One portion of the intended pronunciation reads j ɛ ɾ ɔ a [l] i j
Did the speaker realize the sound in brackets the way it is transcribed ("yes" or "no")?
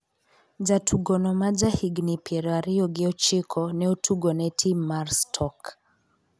no